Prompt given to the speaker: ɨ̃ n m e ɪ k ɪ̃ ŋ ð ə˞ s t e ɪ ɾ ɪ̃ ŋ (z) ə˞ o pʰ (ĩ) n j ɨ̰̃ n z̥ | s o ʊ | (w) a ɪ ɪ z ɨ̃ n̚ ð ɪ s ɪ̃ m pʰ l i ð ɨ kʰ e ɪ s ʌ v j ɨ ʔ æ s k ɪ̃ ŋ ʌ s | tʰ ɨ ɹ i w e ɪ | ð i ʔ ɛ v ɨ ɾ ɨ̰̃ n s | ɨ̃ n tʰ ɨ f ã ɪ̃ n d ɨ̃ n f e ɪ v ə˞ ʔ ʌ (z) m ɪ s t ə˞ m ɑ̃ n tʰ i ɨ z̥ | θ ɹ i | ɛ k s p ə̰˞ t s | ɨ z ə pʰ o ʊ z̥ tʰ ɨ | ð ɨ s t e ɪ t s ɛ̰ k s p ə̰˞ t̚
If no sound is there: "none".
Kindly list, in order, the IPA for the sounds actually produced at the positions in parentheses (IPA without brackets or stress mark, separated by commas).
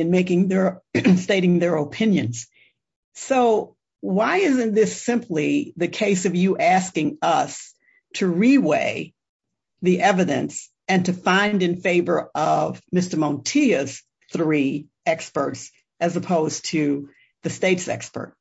ð, ɪ̃, w, v